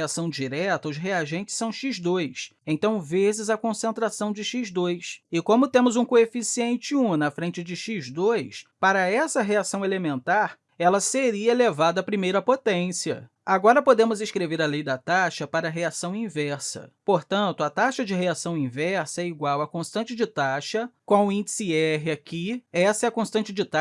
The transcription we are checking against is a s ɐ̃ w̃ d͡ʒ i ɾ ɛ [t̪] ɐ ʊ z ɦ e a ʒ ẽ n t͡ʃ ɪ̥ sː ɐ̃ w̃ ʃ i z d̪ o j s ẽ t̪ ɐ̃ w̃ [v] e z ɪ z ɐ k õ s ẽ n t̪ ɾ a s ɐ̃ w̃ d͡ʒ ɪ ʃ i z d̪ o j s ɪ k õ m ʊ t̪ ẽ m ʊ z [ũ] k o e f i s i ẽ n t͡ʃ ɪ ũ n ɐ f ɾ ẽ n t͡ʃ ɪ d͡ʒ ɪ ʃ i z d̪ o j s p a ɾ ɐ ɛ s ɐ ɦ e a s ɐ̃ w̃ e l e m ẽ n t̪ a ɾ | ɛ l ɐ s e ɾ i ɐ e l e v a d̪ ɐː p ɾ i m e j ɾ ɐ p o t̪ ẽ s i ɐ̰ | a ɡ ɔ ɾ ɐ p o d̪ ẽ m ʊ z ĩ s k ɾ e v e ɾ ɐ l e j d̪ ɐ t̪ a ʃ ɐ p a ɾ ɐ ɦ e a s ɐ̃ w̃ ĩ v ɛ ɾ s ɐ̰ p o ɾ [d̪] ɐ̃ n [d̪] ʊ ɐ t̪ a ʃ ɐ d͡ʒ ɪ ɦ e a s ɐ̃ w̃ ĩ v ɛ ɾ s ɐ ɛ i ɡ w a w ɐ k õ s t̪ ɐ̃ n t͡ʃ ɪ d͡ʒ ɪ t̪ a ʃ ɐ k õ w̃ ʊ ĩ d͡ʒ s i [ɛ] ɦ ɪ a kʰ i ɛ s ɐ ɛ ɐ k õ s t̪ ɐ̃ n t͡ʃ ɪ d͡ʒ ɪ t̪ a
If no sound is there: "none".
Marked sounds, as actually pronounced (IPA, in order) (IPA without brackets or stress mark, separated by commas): t̪, v, ũ, t̪, t̪, ɛ